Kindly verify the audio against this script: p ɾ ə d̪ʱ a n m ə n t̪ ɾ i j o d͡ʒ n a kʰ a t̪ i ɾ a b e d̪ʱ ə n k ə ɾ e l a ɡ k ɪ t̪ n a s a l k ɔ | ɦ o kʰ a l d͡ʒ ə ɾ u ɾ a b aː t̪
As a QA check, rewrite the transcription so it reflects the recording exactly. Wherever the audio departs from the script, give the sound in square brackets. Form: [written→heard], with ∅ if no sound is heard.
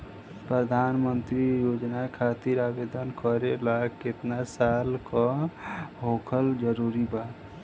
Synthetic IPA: p ɾ ə d̪ʱ a n m ə n t̪ ɾ i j o d͡ʒ n a kʰ a t̪ i ɾ a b e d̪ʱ ə n k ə ɾ e l a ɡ k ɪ t̪ n a s a l k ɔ | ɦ o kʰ [a→ə] l d͡ʒ ə ɾ u ɾ [a→i] b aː t̪